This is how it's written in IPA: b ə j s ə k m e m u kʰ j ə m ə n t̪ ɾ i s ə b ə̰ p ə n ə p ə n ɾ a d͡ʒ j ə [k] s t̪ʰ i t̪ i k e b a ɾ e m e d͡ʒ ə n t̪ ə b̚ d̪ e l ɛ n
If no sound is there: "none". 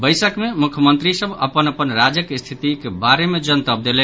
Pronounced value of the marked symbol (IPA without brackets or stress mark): k